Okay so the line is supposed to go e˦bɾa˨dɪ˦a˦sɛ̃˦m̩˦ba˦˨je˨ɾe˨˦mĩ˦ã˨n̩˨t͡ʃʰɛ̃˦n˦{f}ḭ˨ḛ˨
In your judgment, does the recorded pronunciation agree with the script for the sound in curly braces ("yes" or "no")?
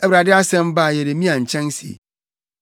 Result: no